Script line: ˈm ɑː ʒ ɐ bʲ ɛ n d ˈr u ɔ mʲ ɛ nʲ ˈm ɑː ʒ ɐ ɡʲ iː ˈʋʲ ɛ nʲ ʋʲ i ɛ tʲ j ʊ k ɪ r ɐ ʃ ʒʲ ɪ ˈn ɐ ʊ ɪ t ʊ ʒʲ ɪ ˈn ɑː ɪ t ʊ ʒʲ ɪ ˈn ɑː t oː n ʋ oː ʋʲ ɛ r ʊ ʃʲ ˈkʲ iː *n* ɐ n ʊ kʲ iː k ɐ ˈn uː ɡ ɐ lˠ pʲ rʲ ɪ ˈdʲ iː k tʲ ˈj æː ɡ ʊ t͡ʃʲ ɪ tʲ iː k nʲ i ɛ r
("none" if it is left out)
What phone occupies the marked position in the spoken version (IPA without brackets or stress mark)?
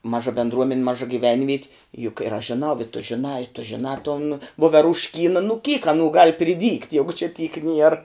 n